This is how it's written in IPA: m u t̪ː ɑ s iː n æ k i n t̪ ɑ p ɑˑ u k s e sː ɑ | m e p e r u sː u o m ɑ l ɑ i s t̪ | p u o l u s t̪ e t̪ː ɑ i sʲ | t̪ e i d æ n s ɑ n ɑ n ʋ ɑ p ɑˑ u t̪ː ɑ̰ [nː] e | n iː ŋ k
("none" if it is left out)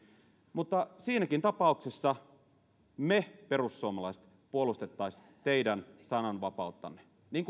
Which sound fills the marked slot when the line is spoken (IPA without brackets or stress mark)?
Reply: nː